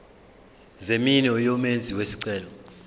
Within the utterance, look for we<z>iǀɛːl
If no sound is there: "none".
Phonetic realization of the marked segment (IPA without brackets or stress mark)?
s